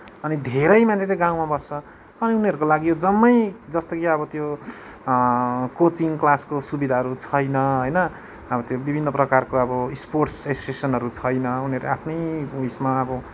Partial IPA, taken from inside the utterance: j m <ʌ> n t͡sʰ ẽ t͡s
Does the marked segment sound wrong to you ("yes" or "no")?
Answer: yes